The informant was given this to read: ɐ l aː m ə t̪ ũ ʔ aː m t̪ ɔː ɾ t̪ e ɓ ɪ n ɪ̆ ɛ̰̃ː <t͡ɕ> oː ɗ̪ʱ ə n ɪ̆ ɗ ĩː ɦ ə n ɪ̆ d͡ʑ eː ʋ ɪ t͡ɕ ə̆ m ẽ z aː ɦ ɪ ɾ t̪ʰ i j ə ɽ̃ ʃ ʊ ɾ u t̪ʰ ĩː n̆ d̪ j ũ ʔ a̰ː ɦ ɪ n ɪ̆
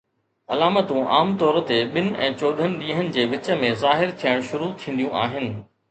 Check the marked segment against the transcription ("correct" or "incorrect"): correct